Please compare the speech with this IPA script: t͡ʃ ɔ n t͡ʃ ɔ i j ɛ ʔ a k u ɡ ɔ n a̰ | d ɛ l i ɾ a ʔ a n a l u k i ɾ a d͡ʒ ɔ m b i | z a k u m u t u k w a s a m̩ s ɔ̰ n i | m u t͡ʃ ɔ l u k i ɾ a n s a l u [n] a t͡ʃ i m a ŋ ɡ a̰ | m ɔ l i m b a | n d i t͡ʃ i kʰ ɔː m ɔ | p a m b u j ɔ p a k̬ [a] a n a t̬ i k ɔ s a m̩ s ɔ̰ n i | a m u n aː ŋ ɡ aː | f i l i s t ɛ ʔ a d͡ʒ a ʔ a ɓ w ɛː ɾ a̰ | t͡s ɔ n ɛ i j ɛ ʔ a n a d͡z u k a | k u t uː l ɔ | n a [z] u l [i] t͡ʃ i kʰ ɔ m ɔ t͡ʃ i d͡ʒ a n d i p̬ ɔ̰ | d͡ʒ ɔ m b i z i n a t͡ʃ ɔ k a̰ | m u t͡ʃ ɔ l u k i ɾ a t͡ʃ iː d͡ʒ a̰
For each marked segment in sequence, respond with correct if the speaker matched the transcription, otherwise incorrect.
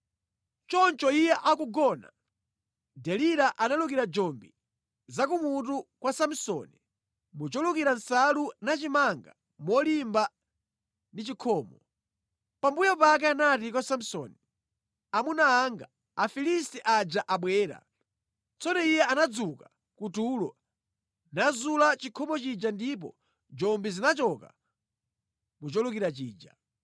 correct, incorrect, correct, incorrect

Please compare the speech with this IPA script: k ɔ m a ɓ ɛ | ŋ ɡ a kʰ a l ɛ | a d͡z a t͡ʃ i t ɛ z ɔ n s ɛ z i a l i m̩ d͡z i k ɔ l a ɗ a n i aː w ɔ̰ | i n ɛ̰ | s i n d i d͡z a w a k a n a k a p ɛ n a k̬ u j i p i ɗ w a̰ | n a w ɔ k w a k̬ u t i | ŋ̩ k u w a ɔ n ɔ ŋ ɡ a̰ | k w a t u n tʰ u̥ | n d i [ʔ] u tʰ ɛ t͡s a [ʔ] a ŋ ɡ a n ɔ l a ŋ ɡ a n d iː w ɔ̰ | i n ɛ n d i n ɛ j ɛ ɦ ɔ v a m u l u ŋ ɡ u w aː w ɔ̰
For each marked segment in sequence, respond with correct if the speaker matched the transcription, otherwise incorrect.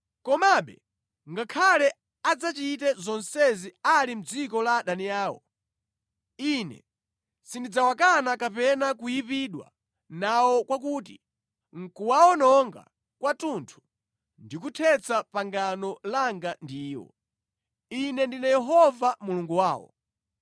incorrect, incorrect

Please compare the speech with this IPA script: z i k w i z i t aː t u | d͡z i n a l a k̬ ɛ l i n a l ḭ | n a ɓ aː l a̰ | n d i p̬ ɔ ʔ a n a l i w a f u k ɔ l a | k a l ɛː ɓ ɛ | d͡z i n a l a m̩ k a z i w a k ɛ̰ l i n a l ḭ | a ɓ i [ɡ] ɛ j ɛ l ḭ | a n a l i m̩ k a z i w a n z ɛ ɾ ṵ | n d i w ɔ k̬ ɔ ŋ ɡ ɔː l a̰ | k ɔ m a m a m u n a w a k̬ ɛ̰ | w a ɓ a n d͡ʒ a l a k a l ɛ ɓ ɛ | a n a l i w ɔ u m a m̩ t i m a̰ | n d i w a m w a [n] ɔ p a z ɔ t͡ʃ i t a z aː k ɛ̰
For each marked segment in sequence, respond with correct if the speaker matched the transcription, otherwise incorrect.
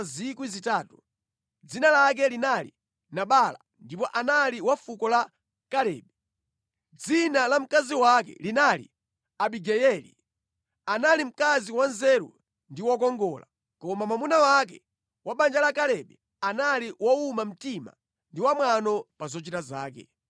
correct, correct

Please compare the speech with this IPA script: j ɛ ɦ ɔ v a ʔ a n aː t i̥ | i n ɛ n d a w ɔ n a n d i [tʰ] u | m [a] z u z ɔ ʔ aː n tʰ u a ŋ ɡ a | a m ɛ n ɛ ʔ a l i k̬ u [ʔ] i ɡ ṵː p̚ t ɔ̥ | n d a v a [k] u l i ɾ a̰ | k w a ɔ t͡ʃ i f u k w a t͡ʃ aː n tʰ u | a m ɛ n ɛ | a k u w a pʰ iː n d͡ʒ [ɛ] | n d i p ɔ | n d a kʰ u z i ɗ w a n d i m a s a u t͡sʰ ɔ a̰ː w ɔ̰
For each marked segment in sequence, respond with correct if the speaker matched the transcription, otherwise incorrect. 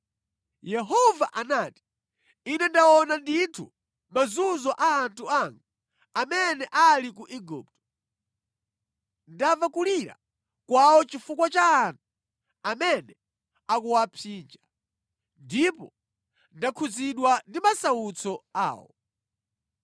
correct, correct, correct, correct, incorrect

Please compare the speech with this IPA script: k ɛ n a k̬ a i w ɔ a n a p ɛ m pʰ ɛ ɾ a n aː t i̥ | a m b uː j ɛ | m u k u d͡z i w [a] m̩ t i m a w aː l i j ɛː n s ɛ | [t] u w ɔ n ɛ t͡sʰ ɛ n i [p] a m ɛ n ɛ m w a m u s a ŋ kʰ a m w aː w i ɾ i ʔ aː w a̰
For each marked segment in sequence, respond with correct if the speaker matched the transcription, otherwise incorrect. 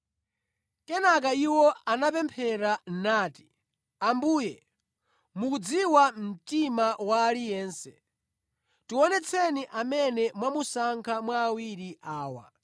correct, correct, incorrect

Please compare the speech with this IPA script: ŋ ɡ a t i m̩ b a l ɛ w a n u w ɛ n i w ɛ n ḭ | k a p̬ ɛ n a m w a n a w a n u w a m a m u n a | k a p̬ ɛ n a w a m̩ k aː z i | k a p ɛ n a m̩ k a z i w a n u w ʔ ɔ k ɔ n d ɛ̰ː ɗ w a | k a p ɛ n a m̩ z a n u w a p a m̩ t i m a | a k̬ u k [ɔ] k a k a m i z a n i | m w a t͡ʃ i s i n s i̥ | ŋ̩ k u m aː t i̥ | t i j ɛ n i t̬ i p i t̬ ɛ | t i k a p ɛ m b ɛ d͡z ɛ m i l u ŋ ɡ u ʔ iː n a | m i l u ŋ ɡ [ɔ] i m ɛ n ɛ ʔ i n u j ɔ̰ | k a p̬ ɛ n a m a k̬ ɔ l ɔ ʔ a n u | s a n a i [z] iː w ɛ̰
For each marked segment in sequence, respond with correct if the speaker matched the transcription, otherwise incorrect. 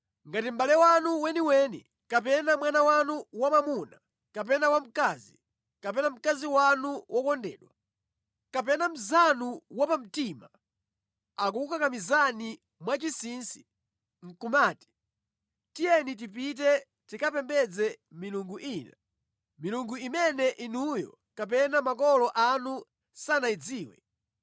incorrect, incorrect, incorrect

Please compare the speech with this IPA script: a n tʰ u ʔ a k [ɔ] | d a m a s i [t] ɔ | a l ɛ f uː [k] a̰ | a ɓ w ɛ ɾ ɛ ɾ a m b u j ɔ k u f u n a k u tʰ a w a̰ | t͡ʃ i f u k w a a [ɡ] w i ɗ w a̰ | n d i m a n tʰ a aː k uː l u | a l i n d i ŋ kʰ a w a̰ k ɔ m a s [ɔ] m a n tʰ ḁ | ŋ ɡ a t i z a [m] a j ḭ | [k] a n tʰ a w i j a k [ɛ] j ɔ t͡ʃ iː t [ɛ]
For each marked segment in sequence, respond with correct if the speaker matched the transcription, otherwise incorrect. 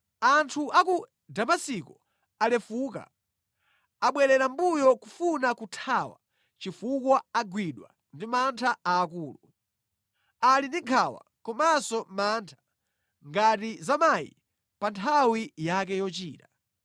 incorrect, incorrect, correct, correct, correct, correct, incorrect, correct, incorrect

